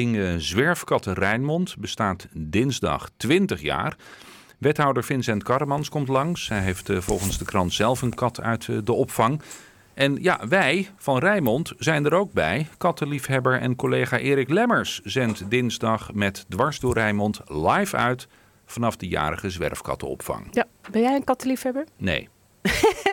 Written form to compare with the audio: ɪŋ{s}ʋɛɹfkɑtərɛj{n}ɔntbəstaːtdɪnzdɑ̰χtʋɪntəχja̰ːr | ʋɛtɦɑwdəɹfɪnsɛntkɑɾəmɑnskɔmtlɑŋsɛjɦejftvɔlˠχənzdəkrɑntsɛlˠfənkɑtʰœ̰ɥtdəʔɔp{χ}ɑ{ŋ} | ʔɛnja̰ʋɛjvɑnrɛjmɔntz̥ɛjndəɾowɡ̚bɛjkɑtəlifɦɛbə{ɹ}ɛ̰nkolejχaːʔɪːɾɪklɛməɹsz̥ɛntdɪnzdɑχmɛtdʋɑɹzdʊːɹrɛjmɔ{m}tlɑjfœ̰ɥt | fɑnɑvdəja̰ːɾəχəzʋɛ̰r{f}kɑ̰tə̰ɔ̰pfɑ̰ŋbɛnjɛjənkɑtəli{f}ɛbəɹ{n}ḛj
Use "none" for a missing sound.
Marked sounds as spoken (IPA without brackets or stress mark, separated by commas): z, m, f, ŋ, ɹ, n, f, f, n